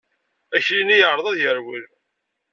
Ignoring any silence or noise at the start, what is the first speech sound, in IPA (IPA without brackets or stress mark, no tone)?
æ